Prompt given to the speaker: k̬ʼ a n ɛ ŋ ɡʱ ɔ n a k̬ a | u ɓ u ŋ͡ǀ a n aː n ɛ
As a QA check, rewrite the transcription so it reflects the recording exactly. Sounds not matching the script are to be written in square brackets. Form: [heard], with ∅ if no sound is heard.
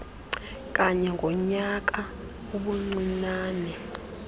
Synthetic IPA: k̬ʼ a [ɲ] ɛ ŋ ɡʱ ɔ [ɲ] a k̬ a | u ɓ u ŋ͡ǀ [i] n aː n ɛ

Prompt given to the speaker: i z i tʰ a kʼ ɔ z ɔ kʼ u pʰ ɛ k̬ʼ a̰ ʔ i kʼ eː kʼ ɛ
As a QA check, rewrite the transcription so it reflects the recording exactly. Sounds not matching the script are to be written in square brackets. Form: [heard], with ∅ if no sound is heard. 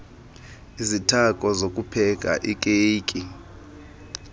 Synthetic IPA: i z i tʰ a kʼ ɔ z [o] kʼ u pʰ ɛ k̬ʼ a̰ ʔ i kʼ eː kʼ [i]

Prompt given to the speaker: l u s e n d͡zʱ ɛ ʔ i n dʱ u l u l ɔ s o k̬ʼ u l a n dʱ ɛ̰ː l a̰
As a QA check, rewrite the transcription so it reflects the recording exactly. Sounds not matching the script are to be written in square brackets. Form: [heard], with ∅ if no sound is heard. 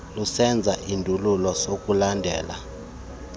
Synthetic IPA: l u s [ɛ] n d͡zʱ [a] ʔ i n dʱ u l u l ɔ s o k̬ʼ u l a n dʱ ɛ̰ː l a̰

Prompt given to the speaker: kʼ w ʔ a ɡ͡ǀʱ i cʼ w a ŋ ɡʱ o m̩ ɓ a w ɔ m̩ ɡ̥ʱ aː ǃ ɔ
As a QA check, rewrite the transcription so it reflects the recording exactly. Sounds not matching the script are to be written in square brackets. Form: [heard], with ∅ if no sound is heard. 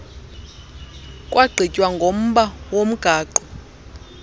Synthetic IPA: kʼ w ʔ a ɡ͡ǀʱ i cʼ w a ŋ ɡʱ o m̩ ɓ a w [o] m̩ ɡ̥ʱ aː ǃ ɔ

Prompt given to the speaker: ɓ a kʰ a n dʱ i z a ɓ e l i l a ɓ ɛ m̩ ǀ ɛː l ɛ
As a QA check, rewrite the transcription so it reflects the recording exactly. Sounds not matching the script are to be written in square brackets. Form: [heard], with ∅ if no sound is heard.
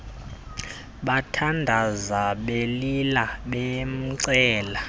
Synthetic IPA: ɓ a [tʰ] a n dʱ [a] z a ɓ e l i l a ɓ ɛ m̩ ǀ ɛː l [a]

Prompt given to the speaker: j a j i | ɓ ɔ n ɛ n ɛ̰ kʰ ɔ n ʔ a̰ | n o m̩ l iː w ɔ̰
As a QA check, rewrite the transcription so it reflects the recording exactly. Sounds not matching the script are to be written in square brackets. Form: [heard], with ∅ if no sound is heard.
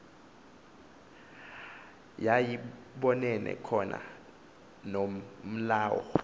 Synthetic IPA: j a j i | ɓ ɔ n ɛ n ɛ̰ kʰ ɔ n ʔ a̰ | n o m̩ l [aː] w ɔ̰

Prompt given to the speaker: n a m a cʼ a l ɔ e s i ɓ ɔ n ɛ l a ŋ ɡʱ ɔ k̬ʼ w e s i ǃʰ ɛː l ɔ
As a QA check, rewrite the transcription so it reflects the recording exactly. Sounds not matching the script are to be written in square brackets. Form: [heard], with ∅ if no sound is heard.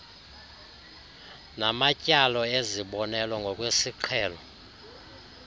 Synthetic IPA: n a m a cʼ a l ɔ e [z] i ɓ ɔ n ɛ l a ŋ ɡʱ ɔ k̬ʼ w e s i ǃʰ ɛː l ɔ

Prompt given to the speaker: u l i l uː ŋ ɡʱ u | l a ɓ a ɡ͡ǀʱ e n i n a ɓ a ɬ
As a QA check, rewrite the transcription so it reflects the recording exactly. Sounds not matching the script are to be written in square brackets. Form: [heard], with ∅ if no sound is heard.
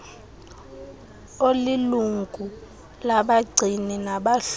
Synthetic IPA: [o] l i l [u] ŋ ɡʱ u | l a ɓ a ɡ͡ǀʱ [i] n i n a ɓ a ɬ

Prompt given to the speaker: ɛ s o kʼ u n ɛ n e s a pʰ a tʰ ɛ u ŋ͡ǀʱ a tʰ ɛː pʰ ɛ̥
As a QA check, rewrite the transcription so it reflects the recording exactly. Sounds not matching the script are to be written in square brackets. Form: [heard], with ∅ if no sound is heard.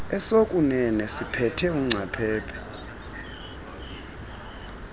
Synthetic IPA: ɛ s o kʼ u n ɛ n [ɛ] s [i] pʰ [ɛ] tʰ ɛ u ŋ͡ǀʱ a [pʰ] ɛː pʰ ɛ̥

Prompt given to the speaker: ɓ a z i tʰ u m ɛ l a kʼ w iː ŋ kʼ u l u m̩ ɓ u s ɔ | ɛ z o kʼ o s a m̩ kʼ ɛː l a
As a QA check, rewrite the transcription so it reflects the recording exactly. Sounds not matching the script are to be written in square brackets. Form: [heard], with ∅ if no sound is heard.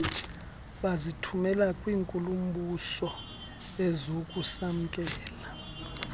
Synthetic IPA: ɓ a z i tʰ u m ɛ l a kʼ w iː ŋ kʼ u l u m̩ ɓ u s ɔ | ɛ z o kʼ [u] s a m̩ kʼ ɛː l a

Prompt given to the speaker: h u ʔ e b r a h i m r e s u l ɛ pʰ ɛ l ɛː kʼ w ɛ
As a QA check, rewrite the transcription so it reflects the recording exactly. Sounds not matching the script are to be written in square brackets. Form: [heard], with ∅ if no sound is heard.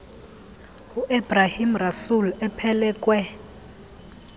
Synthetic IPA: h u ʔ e b r a h i m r [a] s u l ɛ pʰ ɛ l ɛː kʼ w ɛ

